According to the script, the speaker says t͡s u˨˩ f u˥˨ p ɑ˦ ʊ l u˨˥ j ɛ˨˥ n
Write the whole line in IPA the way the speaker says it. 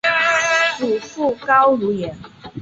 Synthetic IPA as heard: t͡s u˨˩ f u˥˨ k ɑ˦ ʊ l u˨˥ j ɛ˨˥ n